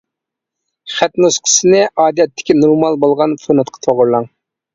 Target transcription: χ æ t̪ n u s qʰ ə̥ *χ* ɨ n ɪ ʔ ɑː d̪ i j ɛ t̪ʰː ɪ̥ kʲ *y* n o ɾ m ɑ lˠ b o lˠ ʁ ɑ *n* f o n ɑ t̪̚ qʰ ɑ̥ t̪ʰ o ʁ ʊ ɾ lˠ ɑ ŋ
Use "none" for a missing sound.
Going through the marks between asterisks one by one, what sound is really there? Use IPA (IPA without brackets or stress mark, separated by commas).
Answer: s, i, n